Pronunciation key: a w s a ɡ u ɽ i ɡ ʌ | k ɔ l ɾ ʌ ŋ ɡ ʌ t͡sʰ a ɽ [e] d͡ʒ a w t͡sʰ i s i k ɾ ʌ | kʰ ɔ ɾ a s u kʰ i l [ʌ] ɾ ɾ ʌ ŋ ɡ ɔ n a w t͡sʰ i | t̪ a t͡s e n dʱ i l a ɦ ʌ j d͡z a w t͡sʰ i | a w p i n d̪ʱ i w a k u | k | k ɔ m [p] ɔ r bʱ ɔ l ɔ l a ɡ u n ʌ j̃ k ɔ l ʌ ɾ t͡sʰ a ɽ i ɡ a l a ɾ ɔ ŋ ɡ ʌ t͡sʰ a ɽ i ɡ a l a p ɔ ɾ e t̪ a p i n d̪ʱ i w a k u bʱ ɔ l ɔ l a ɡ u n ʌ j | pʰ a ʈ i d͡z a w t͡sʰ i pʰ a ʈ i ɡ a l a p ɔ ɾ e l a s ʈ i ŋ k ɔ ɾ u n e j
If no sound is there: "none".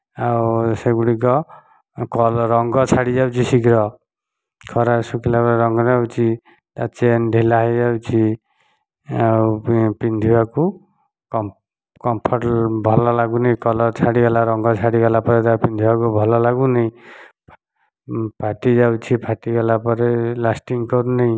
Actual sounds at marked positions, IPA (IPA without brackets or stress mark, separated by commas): i, a, pʰ